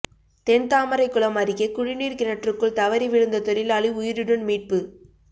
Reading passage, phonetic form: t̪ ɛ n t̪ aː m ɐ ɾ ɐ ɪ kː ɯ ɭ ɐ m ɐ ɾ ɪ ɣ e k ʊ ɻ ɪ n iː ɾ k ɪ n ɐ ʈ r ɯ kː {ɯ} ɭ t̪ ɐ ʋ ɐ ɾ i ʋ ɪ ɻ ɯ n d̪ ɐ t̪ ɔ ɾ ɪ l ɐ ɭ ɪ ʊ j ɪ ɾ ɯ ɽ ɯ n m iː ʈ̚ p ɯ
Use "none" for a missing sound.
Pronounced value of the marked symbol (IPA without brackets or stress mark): ɯ